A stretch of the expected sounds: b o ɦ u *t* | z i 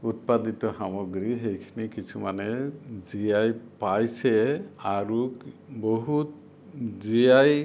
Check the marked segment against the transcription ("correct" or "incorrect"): correct